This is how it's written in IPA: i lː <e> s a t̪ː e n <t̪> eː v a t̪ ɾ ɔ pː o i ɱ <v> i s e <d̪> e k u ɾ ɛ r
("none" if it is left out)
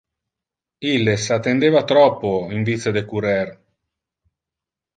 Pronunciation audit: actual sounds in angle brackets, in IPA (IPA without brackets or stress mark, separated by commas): e, d̪, v, d̪